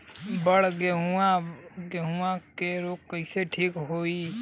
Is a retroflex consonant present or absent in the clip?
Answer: present